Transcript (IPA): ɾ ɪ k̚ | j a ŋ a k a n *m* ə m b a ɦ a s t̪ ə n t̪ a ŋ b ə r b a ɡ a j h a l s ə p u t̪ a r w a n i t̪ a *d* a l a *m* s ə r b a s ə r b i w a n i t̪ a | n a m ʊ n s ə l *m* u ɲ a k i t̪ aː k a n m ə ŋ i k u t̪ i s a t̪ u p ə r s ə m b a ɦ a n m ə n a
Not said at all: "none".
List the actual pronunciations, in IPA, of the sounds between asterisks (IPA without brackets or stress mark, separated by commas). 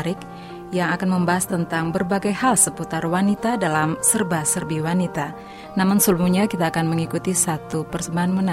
m, d, m, m